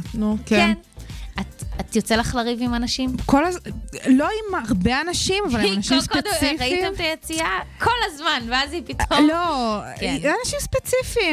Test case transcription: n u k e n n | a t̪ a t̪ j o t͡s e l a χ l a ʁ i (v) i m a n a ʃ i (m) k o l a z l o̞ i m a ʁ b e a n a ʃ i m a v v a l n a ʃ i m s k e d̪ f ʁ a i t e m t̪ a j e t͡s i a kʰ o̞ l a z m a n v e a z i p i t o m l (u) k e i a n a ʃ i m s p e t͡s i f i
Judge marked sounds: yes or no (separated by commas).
yes, yes, no